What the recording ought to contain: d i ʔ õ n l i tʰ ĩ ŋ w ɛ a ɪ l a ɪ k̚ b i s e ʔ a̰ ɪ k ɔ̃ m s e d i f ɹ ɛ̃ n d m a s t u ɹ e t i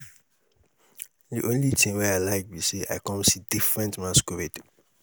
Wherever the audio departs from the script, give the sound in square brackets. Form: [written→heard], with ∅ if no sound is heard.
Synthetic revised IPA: d i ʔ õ n l i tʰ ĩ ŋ w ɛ a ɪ l a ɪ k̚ b i s e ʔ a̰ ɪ k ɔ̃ m s [e→i] d i f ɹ ɛ̃ n [d→t] m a s [t→k] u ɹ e t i